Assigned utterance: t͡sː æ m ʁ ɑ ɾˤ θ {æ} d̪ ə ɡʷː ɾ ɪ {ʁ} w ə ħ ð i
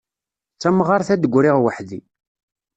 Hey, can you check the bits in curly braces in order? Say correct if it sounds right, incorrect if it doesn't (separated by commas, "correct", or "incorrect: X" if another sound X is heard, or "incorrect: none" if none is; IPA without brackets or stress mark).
correct, correct